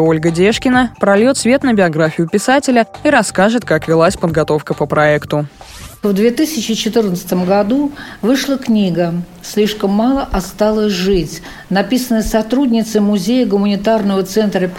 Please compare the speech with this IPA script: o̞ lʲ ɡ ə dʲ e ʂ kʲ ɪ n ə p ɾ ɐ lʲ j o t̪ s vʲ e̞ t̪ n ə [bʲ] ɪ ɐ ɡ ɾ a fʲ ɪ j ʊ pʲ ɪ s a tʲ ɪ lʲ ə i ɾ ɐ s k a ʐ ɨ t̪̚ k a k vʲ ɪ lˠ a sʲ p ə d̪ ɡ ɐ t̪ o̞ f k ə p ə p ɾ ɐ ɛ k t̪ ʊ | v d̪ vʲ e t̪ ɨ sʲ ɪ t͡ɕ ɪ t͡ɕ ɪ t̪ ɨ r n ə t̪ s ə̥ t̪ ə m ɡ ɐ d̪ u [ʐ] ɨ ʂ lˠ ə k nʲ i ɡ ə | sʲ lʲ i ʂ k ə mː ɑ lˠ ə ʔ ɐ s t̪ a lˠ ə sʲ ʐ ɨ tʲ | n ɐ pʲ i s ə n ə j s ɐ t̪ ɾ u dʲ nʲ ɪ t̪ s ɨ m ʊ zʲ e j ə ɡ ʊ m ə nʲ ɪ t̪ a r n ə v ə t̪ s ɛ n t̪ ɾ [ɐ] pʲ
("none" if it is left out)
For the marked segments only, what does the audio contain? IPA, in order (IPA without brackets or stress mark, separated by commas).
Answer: bʲ, v, ə